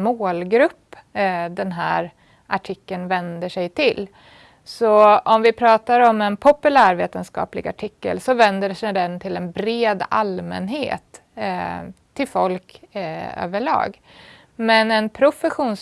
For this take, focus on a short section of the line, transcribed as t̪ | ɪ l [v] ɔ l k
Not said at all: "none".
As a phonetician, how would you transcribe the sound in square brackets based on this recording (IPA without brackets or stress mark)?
f